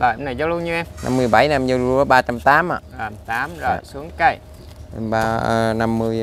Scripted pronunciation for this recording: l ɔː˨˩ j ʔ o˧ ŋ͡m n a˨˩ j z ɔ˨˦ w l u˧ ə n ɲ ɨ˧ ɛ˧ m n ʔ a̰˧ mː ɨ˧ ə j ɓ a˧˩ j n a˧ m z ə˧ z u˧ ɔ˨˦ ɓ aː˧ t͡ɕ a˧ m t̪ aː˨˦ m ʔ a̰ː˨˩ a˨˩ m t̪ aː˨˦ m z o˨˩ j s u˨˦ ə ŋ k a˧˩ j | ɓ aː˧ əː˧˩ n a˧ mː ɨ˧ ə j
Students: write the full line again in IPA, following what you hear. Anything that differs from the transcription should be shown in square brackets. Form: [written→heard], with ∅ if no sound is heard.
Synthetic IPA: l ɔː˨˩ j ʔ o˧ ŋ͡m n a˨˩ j z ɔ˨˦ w l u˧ ə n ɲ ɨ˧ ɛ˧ m n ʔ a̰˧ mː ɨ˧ ə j ɓ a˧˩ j n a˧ m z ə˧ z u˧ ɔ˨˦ ɓ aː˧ t͡ɕ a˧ m t̪ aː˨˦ m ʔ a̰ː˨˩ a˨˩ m t̪ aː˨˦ m z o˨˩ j s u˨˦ ə ŋ k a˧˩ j | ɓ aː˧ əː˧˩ n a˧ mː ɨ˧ ə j